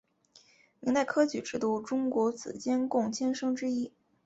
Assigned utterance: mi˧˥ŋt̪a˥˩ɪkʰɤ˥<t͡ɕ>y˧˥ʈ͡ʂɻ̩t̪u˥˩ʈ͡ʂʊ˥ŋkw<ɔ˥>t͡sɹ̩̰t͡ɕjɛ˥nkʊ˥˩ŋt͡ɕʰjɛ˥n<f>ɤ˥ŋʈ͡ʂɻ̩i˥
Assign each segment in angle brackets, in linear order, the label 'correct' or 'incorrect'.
correct, incorrect: ɔ˧˥, incorrect: ʂ

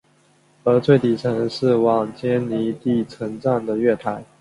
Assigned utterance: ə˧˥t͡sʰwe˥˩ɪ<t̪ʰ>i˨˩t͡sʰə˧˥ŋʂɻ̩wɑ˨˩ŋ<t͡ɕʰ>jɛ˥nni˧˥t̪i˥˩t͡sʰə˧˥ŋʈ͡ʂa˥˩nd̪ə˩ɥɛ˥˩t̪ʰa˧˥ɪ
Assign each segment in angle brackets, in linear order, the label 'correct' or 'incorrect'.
incorrect: t̪, incorrect: t͡ɕ

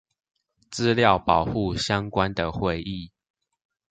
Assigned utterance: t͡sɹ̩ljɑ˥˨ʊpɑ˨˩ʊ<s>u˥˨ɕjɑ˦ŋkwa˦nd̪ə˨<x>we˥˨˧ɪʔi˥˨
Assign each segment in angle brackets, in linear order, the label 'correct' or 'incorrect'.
incorrect: x, correct

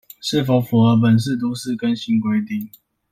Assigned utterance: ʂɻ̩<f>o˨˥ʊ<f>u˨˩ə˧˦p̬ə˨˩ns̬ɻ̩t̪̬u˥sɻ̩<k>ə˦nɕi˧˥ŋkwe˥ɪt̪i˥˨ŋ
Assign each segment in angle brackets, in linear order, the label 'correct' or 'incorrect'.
correct, correct, correct

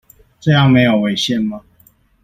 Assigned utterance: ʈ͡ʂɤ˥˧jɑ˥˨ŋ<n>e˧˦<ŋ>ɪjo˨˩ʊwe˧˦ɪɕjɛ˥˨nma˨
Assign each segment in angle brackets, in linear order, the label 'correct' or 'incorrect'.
incorrect: m, incorrect: none

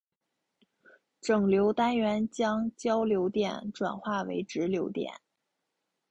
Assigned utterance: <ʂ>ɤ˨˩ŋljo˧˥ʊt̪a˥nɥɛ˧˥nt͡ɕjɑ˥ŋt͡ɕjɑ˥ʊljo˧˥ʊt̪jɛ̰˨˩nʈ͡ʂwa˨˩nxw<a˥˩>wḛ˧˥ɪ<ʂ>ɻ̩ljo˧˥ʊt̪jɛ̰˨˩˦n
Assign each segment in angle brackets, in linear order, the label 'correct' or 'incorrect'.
incorrect: ʈ͡ʂ, correct, incorrect: ʈ͡ʂ

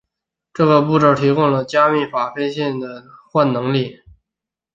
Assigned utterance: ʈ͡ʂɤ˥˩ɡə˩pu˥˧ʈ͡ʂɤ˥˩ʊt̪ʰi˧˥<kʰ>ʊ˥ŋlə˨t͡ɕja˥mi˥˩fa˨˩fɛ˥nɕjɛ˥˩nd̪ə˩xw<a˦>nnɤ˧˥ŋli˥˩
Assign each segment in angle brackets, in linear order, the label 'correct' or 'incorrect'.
incorrect: k, incorrect: a˥˩

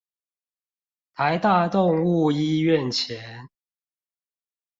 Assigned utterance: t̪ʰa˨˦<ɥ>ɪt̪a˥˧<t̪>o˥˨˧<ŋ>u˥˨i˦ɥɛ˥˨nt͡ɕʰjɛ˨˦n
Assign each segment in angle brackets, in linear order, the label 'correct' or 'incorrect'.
incorrect: none, correct, correct

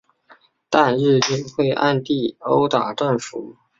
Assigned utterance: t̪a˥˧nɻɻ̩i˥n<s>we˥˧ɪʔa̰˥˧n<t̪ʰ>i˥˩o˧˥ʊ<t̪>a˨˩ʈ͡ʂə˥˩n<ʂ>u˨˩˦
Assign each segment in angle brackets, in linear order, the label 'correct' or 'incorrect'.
incorrect: x, incorrect: t̪, correct, incorrect: f

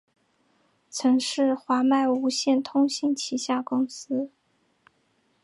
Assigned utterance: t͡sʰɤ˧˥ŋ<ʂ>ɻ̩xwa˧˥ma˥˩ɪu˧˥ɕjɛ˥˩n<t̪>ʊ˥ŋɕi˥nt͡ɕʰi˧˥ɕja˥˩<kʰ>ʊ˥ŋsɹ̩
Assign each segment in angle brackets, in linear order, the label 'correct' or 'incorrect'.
correct, incorrect: t̪ʰ, incorrect: k

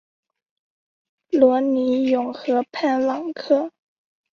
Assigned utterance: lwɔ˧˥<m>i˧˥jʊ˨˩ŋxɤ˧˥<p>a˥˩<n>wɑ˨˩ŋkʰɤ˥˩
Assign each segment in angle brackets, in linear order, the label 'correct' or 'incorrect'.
incorrect: n, incorrect: pʰ, correct

